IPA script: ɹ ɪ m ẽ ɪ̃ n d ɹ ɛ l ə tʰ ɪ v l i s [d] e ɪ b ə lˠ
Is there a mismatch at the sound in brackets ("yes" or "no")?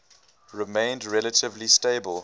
yes